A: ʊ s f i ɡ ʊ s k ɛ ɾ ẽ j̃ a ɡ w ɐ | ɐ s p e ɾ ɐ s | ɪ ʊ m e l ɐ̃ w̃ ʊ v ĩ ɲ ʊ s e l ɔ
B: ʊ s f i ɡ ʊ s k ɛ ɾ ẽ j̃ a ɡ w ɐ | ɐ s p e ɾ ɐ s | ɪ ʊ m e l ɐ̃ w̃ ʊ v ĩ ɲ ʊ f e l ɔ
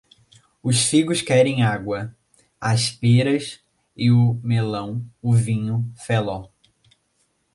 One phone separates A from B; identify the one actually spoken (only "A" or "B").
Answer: B